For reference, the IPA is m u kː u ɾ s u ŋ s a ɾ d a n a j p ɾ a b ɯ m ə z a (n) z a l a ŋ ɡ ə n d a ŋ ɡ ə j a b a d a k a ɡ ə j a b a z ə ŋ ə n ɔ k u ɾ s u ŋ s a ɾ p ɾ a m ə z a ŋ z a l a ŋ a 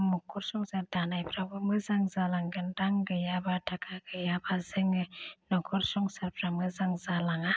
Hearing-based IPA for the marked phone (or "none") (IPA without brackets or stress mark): ŋ